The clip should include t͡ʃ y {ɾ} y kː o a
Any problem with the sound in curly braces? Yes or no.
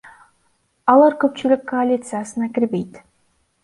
yes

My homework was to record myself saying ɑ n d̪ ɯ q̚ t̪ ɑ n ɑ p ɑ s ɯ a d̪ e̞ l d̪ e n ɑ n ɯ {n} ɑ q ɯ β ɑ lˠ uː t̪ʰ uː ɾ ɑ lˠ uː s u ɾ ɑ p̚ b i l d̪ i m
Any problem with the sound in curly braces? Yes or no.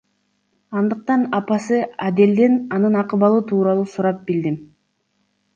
no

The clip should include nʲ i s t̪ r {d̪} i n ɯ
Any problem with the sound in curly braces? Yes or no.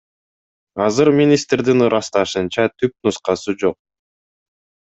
no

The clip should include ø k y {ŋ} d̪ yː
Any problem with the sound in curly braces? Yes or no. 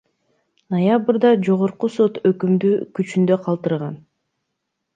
yes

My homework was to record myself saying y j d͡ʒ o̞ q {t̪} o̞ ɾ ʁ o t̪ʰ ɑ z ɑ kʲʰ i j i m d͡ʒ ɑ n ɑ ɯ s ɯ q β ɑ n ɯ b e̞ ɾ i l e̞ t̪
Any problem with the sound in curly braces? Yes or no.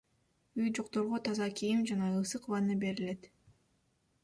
no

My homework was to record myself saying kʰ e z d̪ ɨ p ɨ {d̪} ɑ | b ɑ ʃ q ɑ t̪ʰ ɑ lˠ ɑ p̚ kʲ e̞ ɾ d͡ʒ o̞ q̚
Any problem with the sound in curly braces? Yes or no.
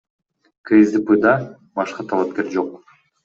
no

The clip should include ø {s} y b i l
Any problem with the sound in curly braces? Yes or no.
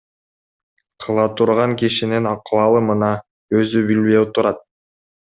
yes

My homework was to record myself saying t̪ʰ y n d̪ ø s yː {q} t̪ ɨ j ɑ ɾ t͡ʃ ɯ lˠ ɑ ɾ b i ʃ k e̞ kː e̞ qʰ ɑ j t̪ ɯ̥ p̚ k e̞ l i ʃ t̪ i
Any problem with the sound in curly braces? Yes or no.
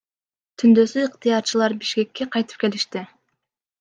no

